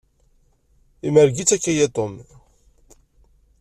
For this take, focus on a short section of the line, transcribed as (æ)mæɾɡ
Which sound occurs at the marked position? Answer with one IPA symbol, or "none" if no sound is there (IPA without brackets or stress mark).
i